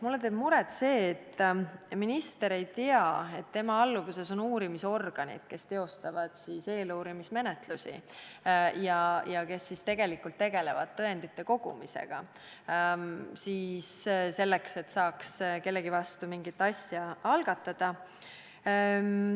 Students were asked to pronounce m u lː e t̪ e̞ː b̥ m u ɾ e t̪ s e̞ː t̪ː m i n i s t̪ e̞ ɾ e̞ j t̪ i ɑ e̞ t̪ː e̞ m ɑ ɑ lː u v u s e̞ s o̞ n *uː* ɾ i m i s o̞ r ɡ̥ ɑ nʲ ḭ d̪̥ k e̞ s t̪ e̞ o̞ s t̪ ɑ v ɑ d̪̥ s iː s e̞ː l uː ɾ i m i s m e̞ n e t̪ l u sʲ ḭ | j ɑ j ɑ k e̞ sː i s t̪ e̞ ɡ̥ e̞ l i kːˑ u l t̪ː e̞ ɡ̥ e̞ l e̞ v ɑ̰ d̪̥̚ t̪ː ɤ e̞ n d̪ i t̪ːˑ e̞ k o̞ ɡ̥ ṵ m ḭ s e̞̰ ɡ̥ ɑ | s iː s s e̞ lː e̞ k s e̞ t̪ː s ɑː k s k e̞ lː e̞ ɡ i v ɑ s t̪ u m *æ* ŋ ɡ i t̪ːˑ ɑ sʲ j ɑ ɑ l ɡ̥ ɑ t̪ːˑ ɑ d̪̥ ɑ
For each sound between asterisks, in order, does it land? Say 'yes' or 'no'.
yes, no

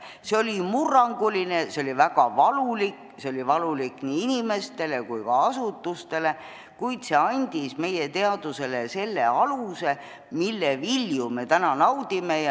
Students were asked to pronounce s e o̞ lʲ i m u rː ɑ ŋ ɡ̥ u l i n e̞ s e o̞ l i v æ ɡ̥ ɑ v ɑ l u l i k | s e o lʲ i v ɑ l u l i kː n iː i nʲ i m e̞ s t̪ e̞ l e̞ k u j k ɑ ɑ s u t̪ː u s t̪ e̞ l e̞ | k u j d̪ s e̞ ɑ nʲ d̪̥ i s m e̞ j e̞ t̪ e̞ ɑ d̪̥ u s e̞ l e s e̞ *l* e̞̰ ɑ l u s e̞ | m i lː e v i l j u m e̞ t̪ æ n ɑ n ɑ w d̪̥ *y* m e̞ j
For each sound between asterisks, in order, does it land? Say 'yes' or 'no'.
no, no

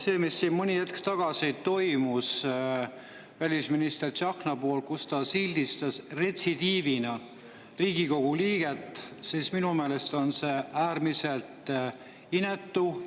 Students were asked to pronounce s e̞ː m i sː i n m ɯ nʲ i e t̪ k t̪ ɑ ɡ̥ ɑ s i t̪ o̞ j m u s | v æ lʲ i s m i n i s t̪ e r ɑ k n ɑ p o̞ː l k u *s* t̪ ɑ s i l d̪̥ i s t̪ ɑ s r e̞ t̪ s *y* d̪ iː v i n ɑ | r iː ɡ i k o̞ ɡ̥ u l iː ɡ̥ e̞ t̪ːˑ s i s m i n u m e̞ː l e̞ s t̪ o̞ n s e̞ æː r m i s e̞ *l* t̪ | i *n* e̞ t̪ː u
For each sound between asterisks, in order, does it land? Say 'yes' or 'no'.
yes, no, yes, yes

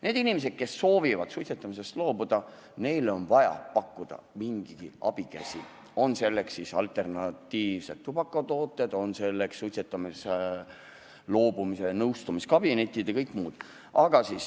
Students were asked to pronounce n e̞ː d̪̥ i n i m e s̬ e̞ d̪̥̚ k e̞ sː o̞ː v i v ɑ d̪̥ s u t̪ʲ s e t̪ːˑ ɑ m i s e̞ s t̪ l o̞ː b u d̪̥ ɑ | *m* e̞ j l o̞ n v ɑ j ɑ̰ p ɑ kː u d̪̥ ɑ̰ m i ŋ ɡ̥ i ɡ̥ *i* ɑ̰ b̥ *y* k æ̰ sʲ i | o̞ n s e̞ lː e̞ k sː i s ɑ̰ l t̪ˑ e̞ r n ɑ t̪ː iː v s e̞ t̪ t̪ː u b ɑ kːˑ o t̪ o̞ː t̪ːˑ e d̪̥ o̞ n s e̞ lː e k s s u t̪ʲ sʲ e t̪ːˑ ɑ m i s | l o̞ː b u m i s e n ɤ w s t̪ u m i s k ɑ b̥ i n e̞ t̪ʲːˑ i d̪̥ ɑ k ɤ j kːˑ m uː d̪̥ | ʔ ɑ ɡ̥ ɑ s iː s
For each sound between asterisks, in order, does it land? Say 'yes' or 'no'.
no, yes, no

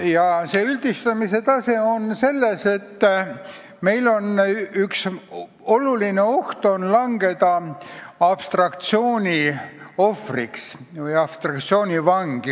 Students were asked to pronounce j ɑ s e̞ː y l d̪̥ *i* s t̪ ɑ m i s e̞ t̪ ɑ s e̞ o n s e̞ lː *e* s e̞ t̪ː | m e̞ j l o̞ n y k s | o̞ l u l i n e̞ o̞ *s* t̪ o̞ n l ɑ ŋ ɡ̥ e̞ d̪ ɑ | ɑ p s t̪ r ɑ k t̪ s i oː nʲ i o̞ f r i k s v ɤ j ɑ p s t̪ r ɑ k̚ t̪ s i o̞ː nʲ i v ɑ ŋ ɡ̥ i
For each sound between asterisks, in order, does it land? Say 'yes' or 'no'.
yes, yes, no

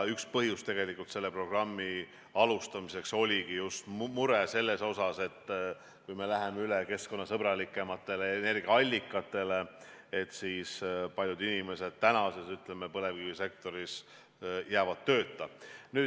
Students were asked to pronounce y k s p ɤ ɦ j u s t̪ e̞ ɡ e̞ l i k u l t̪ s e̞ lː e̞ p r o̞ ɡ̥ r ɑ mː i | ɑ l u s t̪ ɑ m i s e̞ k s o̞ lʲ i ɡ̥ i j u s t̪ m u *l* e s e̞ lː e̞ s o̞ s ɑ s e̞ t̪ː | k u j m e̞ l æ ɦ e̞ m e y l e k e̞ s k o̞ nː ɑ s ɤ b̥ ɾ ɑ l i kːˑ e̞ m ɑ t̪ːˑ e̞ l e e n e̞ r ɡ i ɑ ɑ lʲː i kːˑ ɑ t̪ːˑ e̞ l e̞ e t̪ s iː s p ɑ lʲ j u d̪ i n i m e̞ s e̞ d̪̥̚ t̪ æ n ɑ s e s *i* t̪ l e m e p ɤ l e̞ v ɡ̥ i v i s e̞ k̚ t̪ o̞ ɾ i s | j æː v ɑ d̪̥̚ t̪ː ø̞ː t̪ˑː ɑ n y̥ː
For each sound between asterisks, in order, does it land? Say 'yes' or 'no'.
no, no

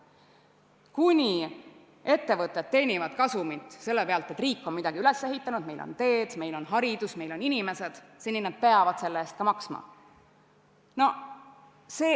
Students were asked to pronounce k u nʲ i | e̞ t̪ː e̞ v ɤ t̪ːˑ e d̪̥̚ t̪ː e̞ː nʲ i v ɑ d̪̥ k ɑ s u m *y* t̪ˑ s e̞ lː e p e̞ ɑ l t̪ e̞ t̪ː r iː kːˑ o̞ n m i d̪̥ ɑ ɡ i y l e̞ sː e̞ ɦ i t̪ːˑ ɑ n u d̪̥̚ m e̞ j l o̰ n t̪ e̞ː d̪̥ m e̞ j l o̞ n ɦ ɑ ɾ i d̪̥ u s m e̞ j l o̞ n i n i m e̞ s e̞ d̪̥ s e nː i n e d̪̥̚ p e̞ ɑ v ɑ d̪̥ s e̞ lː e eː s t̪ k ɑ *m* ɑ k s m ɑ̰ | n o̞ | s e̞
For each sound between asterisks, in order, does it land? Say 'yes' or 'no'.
no, yes

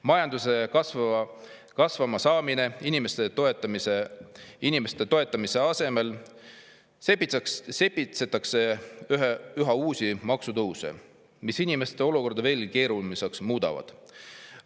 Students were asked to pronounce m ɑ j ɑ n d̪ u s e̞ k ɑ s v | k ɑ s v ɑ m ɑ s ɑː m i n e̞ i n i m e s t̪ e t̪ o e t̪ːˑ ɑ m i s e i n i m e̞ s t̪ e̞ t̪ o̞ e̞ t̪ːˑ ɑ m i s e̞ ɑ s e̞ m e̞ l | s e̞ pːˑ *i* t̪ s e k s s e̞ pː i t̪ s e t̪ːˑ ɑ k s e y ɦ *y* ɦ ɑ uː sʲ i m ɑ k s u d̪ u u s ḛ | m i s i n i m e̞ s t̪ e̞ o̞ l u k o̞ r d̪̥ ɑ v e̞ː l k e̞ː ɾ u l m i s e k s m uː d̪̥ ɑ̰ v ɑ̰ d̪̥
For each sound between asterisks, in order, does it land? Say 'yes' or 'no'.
yes, yes

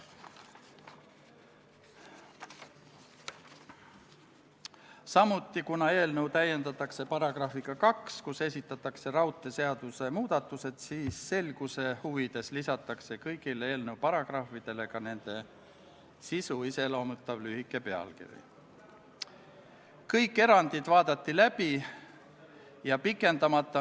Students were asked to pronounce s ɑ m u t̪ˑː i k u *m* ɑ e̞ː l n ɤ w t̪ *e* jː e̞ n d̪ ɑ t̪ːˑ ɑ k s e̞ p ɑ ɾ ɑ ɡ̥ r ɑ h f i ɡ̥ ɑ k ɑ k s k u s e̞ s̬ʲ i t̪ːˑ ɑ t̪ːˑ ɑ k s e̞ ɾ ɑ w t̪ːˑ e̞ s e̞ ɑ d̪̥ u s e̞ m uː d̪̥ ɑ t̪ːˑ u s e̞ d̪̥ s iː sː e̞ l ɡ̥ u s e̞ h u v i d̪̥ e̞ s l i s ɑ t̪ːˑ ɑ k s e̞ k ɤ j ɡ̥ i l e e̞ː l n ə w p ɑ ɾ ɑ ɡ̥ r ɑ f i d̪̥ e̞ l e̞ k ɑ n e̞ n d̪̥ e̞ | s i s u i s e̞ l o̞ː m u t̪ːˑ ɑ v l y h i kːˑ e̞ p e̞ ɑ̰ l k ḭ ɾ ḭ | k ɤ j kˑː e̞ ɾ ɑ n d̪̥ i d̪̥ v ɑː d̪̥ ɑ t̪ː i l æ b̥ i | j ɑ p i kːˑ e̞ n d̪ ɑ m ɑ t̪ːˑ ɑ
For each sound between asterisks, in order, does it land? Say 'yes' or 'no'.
no, no

